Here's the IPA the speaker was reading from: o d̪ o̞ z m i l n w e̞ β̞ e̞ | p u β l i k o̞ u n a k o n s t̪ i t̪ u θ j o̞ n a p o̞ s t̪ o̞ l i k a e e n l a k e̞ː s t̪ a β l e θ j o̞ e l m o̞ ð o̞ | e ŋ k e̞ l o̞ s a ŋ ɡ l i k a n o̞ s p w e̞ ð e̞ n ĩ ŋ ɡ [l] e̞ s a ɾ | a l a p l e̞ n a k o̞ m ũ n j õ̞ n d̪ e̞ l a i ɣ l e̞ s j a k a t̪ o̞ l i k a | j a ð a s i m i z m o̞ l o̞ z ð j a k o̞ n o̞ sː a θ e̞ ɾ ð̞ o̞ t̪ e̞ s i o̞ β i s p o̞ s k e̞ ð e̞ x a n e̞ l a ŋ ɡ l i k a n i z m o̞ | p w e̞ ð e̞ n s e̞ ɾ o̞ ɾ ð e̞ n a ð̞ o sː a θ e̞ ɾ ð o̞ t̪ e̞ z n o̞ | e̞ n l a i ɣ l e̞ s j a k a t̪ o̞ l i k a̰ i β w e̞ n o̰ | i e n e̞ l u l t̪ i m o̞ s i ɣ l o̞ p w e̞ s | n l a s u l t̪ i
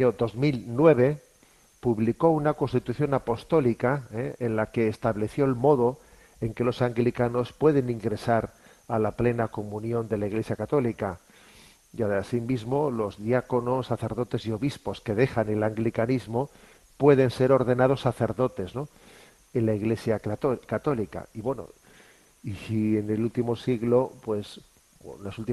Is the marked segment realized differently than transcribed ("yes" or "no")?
yes